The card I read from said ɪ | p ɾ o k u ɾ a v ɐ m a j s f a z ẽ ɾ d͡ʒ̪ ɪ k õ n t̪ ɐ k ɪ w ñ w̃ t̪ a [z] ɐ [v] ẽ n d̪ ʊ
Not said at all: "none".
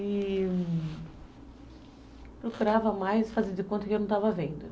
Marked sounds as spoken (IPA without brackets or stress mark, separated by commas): v, v